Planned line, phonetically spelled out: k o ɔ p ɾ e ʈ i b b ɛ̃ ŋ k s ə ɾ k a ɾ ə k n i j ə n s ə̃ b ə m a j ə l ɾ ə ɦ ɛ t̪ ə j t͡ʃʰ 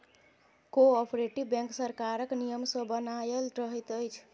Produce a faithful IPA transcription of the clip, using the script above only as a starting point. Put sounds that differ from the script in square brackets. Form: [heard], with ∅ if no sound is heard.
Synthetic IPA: k o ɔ p ɾ e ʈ i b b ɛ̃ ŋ k s ə ɾ k a ɾ ə k n i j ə [m] s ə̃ b ə [n] a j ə l ɾ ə ɦ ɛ t̪ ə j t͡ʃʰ